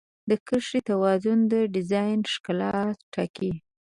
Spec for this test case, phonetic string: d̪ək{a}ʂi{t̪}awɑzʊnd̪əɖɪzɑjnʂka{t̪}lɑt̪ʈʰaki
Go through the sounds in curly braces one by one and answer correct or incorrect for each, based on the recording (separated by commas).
incorrect, correct, incorrect